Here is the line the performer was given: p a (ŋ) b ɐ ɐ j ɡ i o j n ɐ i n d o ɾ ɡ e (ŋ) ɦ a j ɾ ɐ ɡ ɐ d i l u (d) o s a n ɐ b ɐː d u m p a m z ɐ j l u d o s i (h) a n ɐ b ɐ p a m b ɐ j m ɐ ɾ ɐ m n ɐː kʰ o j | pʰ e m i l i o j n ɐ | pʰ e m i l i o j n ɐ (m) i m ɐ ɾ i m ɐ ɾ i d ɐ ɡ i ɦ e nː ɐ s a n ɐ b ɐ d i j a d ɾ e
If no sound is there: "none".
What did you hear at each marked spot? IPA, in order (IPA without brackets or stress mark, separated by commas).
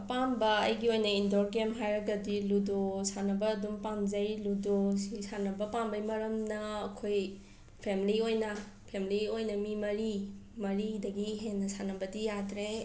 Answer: m, m, d, s, m